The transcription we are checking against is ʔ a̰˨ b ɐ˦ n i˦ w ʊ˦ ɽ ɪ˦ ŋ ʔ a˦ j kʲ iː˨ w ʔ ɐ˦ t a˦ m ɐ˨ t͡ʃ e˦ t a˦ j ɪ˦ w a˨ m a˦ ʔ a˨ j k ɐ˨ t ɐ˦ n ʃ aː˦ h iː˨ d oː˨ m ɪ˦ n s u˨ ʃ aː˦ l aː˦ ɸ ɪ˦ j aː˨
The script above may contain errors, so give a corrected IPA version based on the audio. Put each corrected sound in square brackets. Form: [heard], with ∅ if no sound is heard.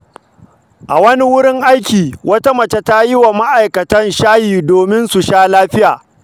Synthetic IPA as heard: ʔ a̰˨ [w] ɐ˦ n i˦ w ʊ˦ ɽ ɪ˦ ŋ ʔ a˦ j kʲ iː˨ w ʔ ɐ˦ t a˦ m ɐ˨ t͡ʃ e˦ t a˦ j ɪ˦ w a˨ m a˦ ʔ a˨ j k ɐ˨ t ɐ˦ n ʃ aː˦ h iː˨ d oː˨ m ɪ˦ n s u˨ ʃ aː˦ l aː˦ ɸ ɪ˦ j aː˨